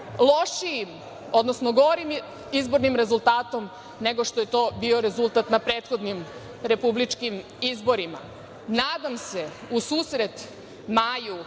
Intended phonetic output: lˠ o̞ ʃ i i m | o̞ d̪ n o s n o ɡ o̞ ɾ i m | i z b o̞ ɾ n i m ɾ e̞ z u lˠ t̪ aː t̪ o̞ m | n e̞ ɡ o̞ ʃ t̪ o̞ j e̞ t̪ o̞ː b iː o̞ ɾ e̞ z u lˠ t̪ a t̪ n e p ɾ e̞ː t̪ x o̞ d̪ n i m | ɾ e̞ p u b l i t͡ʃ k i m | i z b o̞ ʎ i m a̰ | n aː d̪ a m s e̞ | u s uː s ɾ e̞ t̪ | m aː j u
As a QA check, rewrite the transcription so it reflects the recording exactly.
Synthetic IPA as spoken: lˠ o̞ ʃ i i m | o̞ d̪ n o s n o ɡ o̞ ɾ i m | i z b o̞ ɾ n i m ɾ e̞ z u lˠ t̪ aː t̪ o̞ m | n e̞ ɡ o̞ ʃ t̪ o̞ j e̞ t̪ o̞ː b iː o̞ ɾ e̞ z u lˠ t̪ a t̪ n a p ɾ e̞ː t̪ x o̞ d̪ n i m | ɾ e̞ p u b l i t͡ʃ k i m | i z b o̞ ɾ i m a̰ | n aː d̪ a m s e̞ | u s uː s ɾ e̞ t̪ | m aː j u